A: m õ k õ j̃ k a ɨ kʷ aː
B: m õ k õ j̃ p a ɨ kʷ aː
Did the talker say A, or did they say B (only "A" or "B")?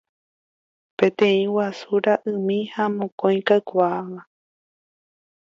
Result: A